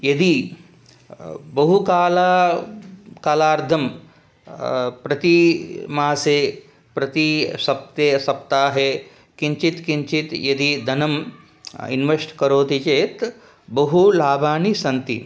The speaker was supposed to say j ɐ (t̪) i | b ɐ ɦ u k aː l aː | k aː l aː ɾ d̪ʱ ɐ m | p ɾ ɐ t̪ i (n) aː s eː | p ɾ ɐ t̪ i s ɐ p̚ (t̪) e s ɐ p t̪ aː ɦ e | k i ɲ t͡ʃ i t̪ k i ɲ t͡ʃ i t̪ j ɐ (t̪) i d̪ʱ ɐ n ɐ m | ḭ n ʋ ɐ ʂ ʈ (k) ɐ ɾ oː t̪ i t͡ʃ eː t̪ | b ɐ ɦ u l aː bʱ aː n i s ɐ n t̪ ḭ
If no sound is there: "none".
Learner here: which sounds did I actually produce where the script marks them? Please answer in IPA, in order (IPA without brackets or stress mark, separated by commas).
d̪, m, t̪, d̪, k